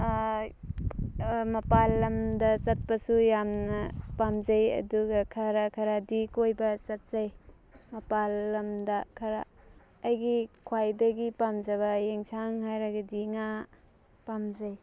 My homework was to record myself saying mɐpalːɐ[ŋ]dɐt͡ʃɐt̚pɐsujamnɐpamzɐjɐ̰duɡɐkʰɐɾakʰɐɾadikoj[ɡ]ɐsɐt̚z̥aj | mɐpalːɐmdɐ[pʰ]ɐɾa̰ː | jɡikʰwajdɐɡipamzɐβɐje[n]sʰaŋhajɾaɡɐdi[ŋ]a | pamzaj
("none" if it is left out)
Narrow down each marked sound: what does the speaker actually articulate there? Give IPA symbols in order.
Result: m, b, kʰ, ŋ, ŋ

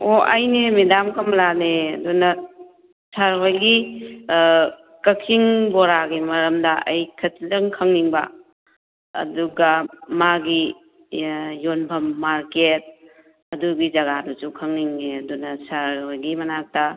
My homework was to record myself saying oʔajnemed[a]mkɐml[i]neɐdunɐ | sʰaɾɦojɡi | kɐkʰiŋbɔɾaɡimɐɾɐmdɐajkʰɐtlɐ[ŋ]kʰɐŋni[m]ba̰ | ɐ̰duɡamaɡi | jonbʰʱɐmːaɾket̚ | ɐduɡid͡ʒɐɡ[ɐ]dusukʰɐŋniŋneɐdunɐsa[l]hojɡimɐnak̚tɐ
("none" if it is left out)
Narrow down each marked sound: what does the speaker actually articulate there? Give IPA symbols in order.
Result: a, a, ŋ, ŋ, a, ɾ

